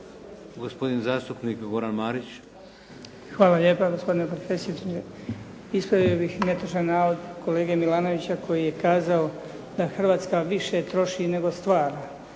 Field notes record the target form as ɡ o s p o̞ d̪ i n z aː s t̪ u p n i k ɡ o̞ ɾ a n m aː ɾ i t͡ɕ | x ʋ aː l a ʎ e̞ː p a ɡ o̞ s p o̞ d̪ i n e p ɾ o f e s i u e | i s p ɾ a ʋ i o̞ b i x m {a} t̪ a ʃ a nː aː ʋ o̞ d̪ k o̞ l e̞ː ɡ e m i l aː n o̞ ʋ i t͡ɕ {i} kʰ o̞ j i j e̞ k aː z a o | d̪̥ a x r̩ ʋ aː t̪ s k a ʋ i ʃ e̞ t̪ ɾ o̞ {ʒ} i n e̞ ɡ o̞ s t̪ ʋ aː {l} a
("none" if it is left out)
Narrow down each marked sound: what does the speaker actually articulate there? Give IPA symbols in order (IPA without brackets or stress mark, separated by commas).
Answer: e, a, ʃ, ɾ